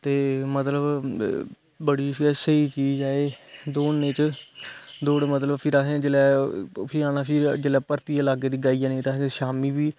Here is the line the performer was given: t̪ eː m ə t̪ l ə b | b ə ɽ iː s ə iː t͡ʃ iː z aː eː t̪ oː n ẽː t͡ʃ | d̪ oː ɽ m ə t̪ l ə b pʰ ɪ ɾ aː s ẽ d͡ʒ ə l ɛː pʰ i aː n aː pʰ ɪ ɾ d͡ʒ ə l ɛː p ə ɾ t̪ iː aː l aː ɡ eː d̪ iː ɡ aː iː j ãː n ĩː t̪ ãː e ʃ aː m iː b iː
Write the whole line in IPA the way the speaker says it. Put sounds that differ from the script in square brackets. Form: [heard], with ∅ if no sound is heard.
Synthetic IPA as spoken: t̪ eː m ə t̪ l ə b | b ə ɽ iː s ə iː t͡ʃ iː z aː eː [d̪] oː n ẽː t͡ʃ | d̪ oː ɽ m ə t̪ l ə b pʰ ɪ ɾ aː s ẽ d͡ʒ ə l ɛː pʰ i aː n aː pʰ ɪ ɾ d͡ʒ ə l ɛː p ə ɾ t̪ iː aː l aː ɡ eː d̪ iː ɡ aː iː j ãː n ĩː t̪ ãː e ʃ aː m iː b iː